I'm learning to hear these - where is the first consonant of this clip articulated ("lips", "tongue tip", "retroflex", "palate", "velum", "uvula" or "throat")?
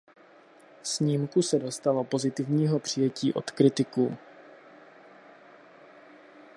tongue tip